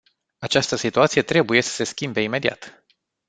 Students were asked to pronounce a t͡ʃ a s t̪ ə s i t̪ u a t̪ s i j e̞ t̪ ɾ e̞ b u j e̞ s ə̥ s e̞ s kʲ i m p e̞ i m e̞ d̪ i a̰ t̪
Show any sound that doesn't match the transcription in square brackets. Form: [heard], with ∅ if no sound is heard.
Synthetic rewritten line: a t͡ʃ a s t̪ ə s i t̪ u a t̪ s i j e̞ t̪ ɾ e̞ b u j e̞ s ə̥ s e̞ s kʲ i m [b] e̞ i m e̞ d̪ i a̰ t̪